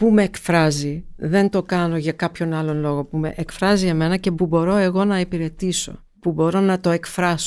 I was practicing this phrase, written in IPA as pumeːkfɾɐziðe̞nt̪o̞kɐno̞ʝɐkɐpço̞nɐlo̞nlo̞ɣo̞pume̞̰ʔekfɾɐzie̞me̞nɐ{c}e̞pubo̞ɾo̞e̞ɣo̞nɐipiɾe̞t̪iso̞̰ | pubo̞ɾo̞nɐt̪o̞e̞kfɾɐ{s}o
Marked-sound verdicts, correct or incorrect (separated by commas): correct, correct